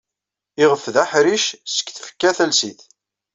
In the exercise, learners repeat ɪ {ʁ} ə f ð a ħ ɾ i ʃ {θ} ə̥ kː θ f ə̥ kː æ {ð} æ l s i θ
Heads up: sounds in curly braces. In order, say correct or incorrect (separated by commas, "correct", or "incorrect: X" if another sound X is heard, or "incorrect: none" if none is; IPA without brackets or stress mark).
correct, incorrect: s, incorrect: θ